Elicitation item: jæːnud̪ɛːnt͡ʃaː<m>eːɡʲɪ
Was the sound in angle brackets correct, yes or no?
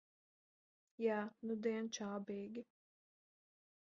no